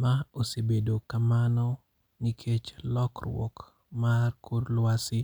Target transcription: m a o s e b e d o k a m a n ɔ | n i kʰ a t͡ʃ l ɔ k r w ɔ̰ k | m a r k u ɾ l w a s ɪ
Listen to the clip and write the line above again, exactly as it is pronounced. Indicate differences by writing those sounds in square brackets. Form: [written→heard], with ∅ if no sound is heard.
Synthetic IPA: m a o s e b e d o k a m a n ɔ | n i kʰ [a→e] t͡ʃ l ɔ k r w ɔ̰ k | m a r k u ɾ l w a s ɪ